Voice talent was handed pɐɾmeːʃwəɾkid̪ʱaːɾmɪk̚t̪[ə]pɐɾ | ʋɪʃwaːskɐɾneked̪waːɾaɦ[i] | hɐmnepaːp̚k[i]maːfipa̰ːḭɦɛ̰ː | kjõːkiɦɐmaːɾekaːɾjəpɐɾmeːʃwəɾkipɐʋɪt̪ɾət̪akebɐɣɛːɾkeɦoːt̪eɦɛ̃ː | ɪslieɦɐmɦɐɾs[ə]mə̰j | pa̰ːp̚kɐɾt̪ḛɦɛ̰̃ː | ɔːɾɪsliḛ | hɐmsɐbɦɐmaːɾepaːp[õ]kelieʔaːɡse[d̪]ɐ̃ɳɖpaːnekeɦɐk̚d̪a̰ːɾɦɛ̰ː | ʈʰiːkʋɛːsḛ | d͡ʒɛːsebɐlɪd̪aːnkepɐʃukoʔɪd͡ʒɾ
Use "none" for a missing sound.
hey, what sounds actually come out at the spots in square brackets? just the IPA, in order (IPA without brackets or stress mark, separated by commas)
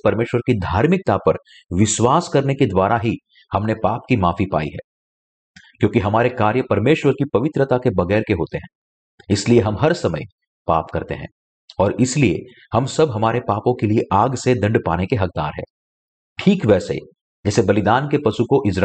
a, i, i, ɐ, õ, d̪